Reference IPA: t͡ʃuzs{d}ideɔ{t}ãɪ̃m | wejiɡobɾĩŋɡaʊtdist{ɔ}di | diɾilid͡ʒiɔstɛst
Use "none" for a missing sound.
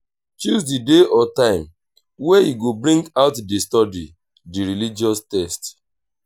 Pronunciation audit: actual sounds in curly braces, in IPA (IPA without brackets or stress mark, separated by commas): d, t, ɔ